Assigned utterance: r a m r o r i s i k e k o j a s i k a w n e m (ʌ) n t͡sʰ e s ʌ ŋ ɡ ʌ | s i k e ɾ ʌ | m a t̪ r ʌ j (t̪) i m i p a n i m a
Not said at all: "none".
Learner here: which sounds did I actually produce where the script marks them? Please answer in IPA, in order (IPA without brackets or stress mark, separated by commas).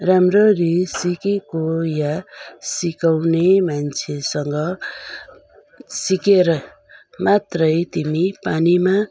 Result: a, t̪